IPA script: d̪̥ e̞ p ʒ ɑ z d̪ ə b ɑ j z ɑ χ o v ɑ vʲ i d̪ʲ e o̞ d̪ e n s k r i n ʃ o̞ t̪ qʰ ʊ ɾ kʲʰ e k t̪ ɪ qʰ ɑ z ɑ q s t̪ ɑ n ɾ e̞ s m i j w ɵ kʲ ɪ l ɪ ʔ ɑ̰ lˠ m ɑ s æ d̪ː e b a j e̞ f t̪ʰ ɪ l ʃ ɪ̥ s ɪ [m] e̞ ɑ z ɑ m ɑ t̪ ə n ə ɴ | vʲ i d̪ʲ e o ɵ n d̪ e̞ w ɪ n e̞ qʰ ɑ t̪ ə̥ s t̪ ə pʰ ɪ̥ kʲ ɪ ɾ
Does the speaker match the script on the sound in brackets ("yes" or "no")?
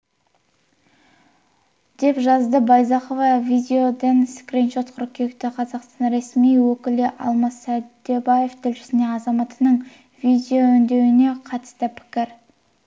no